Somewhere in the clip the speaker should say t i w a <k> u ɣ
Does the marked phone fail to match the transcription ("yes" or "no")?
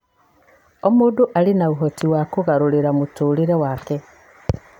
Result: no